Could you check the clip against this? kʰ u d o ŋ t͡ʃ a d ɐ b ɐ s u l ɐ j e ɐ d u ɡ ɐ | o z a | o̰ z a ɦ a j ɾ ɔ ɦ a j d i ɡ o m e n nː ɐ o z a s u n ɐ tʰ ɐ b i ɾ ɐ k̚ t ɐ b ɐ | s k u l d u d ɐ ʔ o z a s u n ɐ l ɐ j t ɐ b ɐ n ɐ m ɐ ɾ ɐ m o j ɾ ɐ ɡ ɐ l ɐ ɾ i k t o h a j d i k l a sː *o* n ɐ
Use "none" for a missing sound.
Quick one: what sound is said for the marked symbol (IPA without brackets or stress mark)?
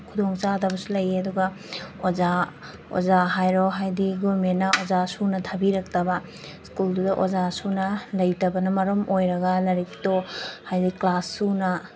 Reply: u